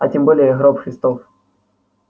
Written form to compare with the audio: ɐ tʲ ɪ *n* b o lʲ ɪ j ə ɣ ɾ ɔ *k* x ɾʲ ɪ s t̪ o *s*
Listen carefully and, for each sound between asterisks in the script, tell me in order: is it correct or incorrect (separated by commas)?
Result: incorrect, incorrect, incorrect